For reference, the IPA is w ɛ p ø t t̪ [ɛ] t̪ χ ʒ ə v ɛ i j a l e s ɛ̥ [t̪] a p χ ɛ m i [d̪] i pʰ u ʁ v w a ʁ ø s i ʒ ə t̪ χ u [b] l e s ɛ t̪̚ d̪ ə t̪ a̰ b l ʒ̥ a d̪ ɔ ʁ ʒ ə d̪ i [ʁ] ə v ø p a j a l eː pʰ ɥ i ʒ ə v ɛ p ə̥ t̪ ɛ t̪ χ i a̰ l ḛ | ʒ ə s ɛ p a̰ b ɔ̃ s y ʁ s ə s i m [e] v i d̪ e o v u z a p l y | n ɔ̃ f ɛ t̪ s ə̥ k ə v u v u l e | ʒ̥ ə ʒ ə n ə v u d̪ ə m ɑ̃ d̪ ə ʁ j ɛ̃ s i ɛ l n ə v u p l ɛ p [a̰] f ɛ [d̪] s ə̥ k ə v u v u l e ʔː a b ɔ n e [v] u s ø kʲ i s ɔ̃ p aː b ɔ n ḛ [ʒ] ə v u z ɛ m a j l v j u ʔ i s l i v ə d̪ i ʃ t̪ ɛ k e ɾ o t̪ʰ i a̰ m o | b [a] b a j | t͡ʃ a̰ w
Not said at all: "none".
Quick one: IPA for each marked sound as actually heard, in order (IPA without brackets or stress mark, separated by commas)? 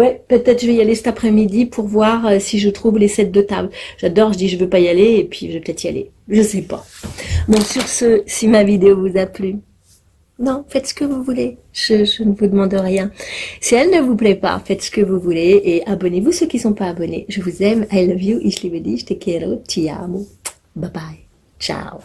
ɛ, t̪, d̪, v, ʒ, a, a̰, t̪, v, ʒ, a